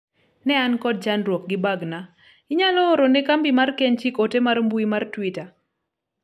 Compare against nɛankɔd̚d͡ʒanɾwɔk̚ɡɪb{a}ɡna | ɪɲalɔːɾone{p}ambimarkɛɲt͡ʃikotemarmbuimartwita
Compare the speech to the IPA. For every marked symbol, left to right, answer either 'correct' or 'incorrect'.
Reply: correct, incorrect

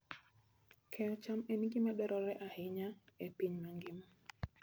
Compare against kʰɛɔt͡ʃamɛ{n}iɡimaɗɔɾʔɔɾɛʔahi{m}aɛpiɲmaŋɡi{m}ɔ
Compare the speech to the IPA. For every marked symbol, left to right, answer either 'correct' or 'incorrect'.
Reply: correct, incorrect, correct

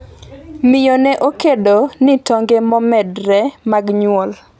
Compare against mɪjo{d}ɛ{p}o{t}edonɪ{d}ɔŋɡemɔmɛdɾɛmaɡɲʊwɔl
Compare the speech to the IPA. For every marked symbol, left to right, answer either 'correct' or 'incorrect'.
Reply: incorrect, incorrect, incorrect, incorrect

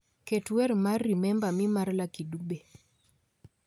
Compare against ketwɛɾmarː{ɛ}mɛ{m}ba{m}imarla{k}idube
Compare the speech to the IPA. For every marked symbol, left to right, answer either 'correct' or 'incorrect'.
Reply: incorrect, correct, correct, correct

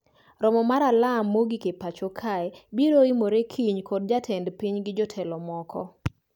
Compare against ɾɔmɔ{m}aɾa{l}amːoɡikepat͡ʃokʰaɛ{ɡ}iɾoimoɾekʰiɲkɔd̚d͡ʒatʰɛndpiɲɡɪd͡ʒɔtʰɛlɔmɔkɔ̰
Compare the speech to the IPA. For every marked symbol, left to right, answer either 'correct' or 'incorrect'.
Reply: correct, correct, incorrect

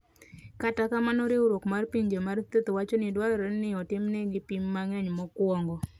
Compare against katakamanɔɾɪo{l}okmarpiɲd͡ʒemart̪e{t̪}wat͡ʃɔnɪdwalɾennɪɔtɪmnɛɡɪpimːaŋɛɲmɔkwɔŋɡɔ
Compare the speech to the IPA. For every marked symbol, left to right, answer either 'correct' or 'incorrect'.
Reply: incorrect, correct

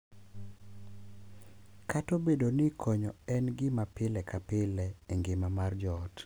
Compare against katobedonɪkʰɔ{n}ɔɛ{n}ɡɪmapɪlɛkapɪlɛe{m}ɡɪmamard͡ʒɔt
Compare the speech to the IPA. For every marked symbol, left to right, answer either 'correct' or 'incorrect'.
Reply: incorrect, correct, incorrect

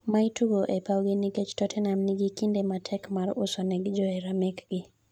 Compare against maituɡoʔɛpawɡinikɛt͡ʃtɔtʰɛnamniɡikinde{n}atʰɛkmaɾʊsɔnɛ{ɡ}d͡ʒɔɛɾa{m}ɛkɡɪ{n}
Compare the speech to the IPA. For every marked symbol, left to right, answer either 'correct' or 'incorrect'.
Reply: incorrect, correct, correct, incorrect

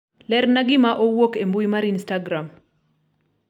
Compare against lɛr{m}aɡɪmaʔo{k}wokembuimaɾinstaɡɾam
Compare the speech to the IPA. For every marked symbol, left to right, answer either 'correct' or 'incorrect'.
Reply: incorrect, incorrect

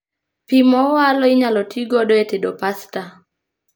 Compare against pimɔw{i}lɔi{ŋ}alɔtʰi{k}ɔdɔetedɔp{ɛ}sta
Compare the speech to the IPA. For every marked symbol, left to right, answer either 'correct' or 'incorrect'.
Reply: incorrect, incorrect, incorrect, incorrect

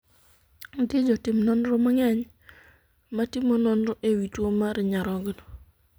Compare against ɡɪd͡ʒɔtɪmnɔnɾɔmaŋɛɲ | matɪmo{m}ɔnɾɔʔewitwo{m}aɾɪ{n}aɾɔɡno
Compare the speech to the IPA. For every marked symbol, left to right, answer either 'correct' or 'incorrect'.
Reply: incorrect, correct, incorrect

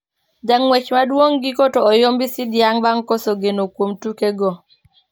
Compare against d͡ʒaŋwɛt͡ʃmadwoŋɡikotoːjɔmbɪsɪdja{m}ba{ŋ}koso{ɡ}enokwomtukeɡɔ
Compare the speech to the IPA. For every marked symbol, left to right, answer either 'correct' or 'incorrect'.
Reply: incorrect, correct, correct

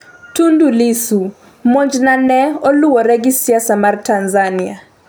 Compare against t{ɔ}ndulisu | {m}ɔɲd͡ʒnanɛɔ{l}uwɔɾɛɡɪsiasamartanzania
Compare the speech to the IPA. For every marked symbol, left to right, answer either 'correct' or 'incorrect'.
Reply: incorrect, correct, correct

